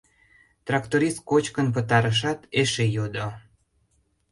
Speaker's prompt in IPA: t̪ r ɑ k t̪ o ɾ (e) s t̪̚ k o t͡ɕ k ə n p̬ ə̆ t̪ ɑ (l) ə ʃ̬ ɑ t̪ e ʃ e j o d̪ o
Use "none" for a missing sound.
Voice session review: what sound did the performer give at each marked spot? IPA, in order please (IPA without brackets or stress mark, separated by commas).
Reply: i, ɾ